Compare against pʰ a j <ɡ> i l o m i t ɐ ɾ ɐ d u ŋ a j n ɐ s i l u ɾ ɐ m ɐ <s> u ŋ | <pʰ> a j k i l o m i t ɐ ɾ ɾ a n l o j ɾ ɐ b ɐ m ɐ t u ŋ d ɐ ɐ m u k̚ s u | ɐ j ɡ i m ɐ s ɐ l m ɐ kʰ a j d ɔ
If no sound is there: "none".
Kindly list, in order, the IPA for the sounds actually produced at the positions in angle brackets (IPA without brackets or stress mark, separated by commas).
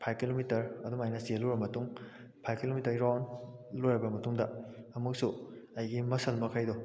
k, t, pʰ